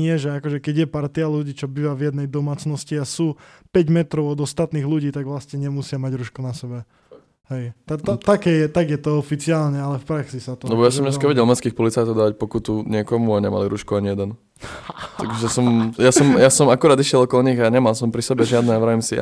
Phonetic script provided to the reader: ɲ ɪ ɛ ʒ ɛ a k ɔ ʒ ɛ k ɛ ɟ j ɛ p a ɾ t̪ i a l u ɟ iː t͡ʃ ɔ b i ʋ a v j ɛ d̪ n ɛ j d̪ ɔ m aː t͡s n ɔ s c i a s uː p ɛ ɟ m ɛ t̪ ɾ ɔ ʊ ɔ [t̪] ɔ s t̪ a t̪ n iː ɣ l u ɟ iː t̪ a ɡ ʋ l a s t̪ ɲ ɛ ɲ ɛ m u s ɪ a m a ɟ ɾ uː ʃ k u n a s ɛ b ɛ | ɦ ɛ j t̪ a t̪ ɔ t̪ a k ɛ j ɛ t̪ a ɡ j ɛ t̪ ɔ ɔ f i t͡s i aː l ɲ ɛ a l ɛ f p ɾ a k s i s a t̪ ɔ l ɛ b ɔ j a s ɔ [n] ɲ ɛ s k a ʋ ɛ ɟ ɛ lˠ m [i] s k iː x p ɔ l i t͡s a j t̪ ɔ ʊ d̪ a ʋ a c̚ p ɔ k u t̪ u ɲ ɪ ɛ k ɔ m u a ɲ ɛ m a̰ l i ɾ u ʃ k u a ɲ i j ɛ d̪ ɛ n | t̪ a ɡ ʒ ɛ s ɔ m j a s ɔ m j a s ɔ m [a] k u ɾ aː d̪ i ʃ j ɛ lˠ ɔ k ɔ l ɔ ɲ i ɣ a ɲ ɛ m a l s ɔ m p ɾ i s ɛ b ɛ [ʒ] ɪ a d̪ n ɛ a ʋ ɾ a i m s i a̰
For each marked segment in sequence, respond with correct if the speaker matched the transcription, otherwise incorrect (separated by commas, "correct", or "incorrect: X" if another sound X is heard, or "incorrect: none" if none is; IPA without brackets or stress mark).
incorrect: d̪, incorrect: m, incorrect: ɛ, correct, correct